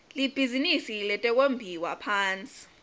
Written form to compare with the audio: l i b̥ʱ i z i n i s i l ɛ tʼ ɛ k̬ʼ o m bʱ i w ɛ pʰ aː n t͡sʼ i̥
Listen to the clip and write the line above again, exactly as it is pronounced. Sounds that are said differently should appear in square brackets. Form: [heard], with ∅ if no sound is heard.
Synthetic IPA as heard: l i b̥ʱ i z i n i s i l ɛ tʼ ɛ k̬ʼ o m bʱ i w [a] pʰ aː n t͡sʼ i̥